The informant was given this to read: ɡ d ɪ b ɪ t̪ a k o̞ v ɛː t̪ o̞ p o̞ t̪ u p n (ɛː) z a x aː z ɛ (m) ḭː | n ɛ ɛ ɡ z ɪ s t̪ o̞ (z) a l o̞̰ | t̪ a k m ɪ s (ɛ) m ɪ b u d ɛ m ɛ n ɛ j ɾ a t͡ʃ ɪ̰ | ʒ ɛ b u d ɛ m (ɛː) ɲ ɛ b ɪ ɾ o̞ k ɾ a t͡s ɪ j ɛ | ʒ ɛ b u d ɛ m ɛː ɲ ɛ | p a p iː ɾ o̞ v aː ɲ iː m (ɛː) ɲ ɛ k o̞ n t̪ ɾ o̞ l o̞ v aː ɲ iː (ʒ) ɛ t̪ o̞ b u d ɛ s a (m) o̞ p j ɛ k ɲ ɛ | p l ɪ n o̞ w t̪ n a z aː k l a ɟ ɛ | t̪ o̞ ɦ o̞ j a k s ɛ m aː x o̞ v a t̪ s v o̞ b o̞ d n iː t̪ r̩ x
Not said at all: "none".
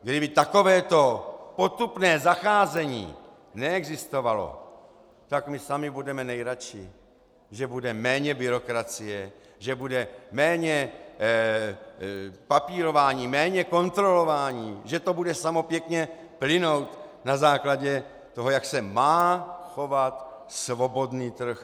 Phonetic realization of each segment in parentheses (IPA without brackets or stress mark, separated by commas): ɛː, ɲ, v, a, ɛː, ɛː, ʒ, m